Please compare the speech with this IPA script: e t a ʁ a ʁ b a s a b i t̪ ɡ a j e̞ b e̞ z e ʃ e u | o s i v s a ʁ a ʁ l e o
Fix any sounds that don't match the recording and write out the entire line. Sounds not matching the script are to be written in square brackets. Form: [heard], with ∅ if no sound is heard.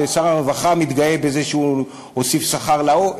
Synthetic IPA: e [s] a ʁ a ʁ [v] a [χ] a [m] i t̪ ɡ a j e̞ b e̞ z e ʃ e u | o s i [f] s a [χ] a ʁ l [a] o